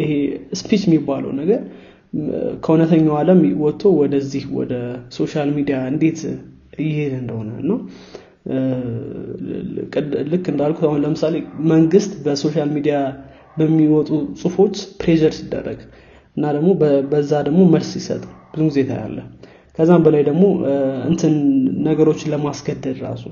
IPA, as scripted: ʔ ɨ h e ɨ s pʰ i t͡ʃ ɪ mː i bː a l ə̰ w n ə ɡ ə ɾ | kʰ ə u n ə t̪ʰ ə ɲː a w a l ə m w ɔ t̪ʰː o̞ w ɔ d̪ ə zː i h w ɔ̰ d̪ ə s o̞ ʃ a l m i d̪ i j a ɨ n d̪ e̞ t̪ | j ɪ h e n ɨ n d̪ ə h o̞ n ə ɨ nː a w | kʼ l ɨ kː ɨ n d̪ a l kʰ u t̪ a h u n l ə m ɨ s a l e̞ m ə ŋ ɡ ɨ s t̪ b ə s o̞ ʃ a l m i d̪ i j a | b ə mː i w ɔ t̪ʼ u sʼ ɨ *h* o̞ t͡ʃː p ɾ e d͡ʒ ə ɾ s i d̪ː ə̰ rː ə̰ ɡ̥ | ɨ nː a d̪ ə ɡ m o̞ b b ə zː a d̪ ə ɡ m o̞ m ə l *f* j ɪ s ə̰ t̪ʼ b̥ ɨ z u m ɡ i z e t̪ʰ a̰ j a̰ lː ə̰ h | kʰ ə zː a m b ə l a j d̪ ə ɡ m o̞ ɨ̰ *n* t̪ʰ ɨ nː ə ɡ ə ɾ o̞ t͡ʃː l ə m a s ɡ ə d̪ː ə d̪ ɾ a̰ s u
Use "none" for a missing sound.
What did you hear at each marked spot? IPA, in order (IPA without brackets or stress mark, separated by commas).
f, s, n